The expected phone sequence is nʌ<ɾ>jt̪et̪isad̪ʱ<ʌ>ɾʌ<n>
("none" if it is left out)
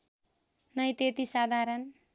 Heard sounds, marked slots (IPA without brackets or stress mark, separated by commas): none, a, n